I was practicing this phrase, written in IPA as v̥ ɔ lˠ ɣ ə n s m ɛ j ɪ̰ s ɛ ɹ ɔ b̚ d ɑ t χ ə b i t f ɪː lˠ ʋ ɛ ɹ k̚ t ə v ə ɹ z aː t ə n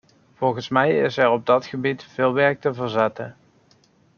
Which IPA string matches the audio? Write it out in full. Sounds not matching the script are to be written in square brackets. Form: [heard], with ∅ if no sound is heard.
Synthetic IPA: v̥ ɔ lˠ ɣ ə n s m ɛ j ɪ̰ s ɛ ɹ ɔ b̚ d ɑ t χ ə b i t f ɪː lˠ ʋ ɛ ɹ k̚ t ə v ə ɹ z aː t ə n

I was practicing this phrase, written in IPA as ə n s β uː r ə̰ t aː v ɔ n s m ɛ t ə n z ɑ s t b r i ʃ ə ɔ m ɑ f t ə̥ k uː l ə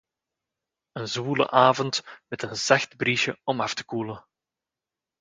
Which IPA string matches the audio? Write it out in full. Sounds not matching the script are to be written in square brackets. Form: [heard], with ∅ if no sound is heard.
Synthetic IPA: ə n [z] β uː [l] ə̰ [ʔ] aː v ɔ n [t] m ɛ t ə n z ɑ [x] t b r i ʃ ə ɔ m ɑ f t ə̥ k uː l ə

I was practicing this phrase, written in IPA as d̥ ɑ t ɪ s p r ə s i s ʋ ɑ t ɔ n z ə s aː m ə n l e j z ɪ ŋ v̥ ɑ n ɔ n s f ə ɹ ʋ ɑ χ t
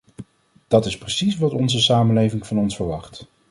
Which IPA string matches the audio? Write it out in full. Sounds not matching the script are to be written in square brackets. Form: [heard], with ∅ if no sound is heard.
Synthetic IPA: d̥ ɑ t ɪ s p r ə s i s ʋ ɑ t ɔ n z ə s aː m ə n l e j [v] ɪ ŋ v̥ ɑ n ɔ n s f ə ɹ ʋ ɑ χ t

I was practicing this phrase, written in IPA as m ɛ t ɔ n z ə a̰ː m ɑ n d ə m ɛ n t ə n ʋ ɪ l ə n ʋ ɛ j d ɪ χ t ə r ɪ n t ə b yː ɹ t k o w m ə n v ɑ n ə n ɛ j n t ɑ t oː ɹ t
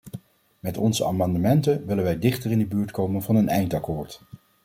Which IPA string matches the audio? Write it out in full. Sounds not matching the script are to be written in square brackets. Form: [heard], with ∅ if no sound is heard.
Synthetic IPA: m ɛ t ɔ n z ə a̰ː m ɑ n d ə m ɛ n t ə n ʋ ɪ l ə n ʋ ɛ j d ɪ χ t ə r ɪ n [d] ə b yː ɹ t k o w m ə n v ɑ n ə n ɛ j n t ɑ [k] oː ɹ t

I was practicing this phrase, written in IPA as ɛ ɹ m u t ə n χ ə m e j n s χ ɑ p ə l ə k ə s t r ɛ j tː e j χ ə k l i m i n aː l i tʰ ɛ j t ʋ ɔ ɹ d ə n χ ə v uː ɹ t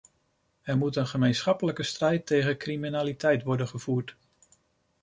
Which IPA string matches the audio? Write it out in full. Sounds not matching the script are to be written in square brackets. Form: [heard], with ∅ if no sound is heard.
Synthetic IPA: ɛ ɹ m u t ə n χ ə m e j n s χ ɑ p ə l ə k ə s t r ɛ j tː e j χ ə k [r] i m i n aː l i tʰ ɛ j t ʋ ɔ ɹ d ə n χ ə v uː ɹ t

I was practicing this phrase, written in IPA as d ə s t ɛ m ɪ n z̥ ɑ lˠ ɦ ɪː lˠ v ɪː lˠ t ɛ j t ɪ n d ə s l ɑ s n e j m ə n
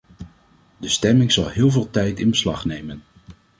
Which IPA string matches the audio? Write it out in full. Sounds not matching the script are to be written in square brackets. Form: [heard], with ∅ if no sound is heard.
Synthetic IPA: d ə s t ɛ m ɪ [ŋ] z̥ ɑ lˠ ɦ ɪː lˠ v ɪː lˠ t ɛ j t ɪ n [b] ə s l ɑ [χ] n e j m ə n

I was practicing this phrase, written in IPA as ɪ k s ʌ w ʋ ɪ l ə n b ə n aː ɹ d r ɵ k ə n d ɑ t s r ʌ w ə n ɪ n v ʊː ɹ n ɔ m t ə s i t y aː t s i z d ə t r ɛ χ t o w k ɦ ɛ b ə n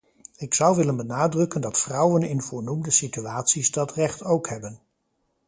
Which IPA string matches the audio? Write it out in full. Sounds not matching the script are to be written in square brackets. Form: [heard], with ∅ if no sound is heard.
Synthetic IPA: ɪ k s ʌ w ʋ ɪ l ə n b ə n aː [∅] d r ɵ k ə n d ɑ t [f] r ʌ w ə n ɪ n v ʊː ɹ n [u] m [d] ə s i t y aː t s i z d [ɑ] t r ɛ χ t o w k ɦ ɛ b ə n

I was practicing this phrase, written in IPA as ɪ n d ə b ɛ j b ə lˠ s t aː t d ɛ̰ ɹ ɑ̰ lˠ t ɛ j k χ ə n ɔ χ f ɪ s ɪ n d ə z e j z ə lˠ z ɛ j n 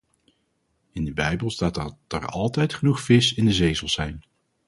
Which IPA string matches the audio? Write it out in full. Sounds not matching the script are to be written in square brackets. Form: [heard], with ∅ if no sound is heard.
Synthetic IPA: ɪ n d ə b ɛ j b ə lˠ s t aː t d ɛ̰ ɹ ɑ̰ lˠ t ɛ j [t] χ ə n [u] χ f ɪ s ɪ n d ə z e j z ə lˠ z ɛ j n

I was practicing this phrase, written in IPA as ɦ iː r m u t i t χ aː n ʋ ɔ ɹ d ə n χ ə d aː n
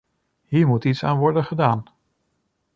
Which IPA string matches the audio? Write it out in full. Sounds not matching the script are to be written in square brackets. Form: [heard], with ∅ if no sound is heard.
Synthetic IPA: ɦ iː [ɹ] m u t i t [s] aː n ʋ ɔ ɹ d ə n χ ə d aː n

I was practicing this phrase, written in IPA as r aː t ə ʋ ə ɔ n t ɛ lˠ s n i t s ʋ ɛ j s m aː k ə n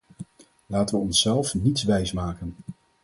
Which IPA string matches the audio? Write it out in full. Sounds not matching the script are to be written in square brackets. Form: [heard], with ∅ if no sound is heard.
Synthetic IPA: [l] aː t ə ʋ ə ɔ n [s] ɛ lˠ [f] n i t s ʋ ɛ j s m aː k ə n

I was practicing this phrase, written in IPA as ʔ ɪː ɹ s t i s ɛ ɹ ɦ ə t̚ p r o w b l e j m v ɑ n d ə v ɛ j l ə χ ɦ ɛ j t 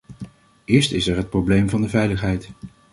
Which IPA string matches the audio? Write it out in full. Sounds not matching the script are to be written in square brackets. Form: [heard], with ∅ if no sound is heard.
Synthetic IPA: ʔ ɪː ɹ s t [ɪ] s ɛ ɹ ɦ ə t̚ p r o w b l e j m v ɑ n d ə v ɛ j l ə χ ɦ ɛ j t

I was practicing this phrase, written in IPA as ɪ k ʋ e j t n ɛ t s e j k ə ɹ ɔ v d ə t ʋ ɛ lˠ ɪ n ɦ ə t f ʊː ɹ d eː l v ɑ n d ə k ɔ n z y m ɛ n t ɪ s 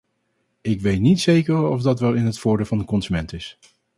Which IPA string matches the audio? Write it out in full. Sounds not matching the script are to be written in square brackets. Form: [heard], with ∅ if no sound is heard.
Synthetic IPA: ɪ k ʋ e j t n [i] t s e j k ə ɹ ɔ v d [ɑ] t ʋ ɛ lˠ ɪ n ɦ ə t f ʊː ɹ d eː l v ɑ n d ə k ɔ n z y m ɛ n t ɪ s

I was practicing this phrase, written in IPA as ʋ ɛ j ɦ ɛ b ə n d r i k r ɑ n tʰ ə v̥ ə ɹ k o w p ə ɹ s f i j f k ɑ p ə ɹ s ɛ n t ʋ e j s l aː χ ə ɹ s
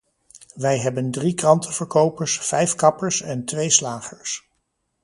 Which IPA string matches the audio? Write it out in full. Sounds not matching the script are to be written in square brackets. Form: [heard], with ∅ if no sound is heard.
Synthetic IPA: ʋ ɛ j ɦ ɛ b ə n d r i k r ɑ n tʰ ə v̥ ə ɹ k o w p ə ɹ s f [ɛ] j f k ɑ p ə ɹ s ɛ n t ʋ e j s l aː χ ə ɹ s

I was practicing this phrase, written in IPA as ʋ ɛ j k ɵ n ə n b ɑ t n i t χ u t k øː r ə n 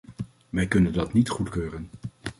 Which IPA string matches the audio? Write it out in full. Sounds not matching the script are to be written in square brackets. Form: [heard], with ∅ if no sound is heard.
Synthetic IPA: ʋ ɛ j k ɵ n ə n [d] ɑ t n i t χ u t k øː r ə n

